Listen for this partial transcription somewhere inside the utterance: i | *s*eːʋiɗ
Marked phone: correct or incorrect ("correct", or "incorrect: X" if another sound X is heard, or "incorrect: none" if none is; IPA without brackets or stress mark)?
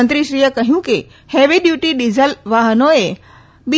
incorrect: h